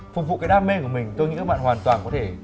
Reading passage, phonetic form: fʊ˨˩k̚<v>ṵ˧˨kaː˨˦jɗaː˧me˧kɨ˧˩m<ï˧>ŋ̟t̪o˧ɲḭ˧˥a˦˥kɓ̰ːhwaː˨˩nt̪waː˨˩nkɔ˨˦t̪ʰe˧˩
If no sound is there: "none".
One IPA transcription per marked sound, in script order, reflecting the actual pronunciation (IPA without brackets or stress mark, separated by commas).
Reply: v, ï˨˩